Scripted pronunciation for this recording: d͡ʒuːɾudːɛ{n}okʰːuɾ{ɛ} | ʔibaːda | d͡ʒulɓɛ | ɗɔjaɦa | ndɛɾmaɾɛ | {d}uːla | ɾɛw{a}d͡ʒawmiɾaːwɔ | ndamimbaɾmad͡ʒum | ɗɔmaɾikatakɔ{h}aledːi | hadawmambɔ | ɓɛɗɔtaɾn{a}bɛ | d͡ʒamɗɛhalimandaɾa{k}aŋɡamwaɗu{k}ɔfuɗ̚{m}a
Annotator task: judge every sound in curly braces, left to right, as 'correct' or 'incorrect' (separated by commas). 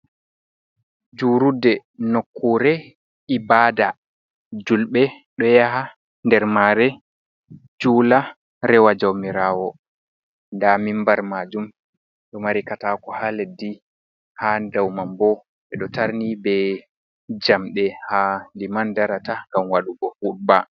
correct, correct, incorrect, correct, correct, incorrect, incorrect, incorrect, incorrect